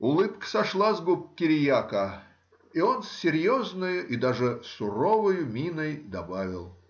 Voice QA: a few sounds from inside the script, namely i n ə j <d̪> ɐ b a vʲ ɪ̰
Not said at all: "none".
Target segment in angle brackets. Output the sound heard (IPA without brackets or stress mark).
d̪